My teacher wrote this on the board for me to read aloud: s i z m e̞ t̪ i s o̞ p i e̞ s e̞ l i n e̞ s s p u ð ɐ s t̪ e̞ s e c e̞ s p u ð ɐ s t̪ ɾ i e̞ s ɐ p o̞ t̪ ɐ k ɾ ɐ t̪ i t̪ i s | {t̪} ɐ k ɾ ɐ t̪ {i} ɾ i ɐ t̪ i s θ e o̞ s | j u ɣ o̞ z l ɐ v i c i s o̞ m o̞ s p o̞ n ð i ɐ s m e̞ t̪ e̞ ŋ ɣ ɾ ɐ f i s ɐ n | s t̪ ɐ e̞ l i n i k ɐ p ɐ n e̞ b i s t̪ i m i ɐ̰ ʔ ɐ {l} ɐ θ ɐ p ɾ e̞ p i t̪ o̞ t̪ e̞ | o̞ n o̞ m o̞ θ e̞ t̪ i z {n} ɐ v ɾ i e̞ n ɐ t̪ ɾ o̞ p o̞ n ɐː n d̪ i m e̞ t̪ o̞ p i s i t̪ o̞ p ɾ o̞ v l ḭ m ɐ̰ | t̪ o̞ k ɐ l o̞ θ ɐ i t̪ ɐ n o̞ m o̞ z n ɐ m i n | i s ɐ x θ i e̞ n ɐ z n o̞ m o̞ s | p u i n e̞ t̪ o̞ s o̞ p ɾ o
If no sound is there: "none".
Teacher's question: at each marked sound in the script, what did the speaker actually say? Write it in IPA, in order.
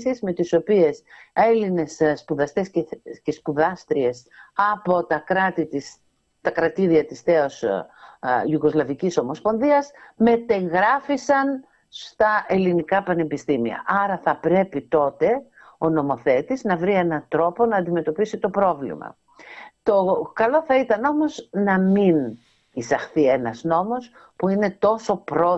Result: t̪, i, ɾ, n

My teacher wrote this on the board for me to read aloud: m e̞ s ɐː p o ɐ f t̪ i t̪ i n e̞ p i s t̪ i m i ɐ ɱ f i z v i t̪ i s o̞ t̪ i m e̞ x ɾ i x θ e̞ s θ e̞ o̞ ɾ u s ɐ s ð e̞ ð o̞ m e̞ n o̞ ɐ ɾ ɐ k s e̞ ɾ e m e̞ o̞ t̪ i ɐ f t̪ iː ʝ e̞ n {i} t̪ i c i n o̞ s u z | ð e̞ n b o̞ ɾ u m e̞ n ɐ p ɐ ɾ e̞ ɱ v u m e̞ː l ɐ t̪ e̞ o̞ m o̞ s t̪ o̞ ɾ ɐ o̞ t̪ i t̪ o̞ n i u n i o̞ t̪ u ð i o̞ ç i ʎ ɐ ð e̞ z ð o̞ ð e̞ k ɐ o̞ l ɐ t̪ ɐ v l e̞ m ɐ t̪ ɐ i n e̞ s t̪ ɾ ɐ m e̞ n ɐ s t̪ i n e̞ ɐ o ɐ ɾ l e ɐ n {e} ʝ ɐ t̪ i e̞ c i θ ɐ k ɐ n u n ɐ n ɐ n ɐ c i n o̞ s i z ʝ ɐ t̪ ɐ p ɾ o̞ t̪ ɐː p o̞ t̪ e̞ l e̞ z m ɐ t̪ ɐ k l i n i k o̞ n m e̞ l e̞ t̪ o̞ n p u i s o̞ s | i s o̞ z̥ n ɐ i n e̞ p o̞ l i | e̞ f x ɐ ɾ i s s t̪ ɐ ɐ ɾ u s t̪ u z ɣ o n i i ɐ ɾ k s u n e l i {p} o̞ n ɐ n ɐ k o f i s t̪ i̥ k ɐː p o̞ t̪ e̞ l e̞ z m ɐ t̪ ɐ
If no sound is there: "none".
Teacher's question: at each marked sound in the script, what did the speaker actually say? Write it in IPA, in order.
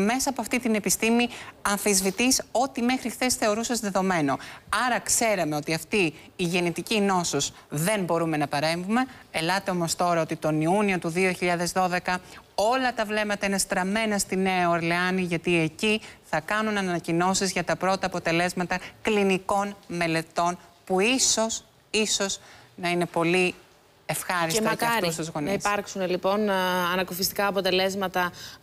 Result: i, i, p

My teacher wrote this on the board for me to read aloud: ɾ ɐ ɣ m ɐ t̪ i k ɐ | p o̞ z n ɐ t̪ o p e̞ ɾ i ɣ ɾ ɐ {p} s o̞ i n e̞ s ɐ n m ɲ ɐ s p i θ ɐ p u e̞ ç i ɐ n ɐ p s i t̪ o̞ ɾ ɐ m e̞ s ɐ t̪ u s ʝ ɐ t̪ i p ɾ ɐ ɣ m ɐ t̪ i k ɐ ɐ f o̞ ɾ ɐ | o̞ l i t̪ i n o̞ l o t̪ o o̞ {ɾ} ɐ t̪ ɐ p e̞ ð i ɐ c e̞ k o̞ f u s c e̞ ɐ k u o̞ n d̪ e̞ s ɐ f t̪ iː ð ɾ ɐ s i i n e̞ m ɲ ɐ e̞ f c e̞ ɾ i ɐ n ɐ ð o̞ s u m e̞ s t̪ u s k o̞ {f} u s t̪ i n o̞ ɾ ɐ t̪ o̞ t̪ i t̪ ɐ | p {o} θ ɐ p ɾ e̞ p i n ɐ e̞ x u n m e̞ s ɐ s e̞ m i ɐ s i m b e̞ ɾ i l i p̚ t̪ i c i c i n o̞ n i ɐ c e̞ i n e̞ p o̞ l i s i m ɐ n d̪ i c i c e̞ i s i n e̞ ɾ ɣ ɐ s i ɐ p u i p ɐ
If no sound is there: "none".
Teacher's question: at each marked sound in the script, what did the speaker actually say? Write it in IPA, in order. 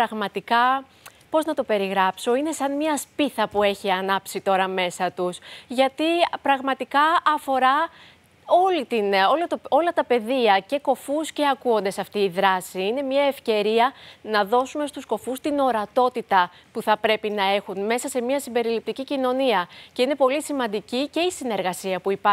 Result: p, l, f, u

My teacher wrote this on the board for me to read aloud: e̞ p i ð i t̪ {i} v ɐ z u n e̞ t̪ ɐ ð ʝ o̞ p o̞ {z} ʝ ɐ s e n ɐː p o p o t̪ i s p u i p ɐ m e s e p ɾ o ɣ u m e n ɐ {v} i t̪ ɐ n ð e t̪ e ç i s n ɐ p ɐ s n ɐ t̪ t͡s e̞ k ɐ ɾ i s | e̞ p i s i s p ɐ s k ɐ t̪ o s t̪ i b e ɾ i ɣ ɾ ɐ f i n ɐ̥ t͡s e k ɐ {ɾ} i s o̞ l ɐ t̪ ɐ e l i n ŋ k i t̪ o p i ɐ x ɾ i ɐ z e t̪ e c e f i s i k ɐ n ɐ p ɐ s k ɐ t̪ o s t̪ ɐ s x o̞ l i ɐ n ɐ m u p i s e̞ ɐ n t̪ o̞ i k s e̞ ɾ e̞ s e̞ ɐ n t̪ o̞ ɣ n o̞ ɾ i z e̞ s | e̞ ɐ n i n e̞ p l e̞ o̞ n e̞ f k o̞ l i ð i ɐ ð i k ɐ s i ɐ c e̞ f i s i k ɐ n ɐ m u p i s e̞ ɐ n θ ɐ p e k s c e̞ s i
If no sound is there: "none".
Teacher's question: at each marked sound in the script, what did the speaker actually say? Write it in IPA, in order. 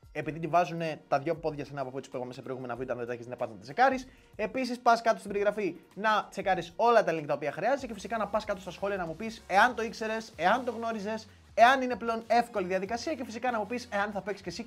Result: i, ð, v, ɾ

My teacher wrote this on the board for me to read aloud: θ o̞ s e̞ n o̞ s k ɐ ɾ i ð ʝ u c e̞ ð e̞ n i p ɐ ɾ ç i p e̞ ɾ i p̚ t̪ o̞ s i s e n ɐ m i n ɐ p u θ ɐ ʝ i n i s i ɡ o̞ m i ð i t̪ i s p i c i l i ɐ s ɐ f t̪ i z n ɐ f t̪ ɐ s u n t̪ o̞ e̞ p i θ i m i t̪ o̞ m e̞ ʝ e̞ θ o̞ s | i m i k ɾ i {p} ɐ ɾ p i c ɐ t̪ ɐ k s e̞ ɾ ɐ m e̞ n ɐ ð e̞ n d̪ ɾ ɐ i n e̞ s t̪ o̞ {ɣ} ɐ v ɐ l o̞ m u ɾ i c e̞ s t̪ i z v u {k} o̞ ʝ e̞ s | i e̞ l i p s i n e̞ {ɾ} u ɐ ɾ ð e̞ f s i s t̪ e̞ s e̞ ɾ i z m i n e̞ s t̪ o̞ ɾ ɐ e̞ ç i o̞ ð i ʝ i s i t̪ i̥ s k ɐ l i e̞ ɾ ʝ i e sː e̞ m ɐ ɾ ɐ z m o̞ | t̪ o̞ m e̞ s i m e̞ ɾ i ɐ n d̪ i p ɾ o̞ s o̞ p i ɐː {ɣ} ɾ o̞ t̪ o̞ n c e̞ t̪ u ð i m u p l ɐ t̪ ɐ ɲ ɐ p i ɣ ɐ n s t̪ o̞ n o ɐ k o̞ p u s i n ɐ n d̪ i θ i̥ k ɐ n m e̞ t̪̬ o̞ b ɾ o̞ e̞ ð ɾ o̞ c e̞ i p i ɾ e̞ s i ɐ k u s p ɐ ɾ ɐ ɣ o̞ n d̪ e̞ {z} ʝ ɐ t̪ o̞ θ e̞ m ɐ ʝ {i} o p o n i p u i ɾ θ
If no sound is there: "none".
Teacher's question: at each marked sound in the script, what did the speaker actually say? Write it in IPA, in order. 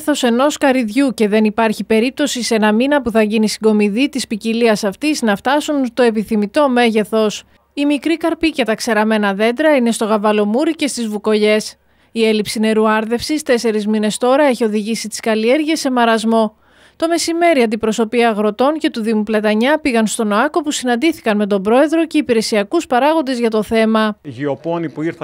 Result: k, ɣ, k, ɾ, ɣ, z, i

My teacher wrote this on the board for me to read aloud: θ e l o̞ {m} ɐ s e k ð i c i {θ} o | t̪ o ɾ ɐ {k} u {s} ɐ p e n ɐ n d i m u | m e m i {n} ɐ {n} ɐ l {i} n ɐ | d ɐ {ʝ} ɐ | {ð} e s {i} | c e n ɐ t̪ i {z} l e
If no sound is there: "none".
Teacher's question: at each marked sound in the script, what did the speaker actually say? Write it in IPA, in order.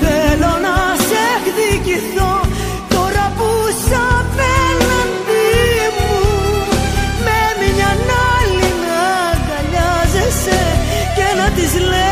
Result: n, θ, p, s, ɲ, n, i, ʎ, z, e, z

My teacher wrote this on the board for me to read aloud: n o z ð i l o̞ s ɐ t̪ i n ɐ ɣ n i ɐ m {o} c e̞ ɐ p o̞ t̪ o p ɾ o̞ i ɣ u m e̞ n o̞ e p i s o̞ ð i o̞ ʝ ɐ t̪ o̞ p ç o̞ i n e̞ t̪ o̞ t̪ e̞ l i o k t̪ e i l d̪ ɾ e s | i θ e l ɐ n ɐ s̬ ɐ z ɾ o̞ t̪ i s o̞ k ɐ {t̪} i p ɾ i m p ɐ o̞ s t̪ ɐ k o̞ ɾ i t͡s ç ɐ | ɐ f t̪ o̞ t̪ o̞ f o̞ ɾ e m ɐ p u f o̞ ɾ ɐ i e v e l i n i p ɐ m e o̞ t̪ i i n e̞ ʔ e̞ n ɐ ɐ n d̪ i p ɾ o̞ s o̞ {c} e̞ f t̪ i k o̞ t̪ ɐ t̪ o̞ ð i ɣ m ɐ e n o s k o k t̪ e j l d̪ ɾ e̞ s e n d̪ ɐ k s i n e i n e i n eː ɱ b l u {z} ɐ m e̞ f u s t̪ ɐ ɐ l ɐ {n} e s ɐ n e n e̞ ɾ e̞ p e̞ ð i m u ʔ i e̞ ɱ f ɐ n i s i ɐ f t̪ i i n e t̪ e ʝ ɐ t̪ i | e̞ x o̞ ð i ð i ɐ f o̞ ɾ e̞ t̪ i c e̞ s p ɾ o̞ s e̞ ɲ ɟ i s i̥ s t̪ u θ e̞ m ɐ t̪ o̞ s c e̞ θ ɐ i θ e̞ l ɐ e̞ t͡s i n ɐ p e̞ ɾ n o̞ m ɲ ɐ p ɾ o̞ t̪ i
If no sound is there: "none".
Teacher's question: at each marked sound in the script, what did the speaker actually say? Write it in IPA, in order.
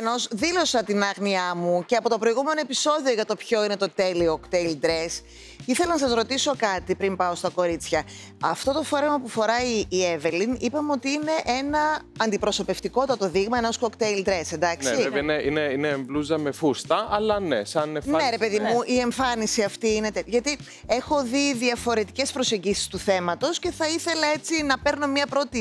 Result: u, t̪, p, z, n

